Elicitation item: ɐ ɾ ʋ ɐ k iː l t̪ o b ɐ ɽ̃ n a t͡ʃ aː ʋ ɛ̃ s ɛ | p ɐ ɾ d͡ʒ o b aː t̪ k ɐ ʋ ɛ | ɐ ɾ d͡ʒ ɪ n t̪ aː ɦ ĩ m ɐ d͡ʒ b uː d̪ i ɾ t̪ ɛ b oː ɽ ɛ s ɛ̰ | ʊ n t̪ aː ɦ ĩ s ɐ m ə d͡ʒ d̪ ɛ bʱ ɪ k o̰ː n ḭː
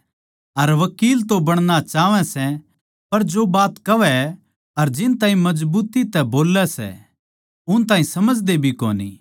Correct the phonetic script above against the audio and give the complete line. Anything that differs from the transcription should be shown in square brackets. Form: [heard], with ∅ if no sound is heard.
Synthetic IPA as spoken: ɐ ɾ ʋ ɐ k iː l t̪ o b ɐ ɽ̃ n a t͡ʃ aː ʋ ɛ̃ s ɛ | p ɐ ɾ d͡ʒ o b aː t̪ k ɐ ʋ ɛ | ɐ ɾ d͡ʒ ɪ n t̪ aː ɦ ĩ m ɐ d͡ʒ b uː [t̪] i [∅] t̪ ɛ b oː [l] ɛ s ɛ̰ | ʊ n t̪ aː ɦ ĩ s ɐ m ə d͡ʒ d̪ [e] bʱ [i] k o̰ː n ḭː